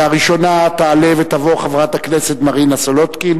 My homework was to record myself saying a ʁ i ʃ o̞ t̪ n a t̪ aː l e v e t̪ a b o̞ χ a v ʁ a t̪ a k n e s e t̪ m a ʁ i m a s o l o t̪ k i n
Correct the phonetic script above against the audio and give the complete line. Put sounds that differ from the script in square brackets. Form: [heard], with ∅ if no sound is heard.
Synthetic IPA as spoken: a ʁ i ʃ o̞ [∅] n a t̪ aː l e v e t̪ a [v] o̞ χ a v ʁ a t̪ a k n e s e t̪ m a ʁ i [n] a s o l o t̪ k i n